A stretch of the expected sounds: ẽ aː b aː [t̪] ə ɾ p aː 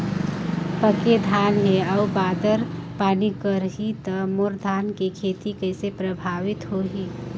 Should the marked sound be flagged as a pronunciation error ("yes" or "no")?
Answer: yes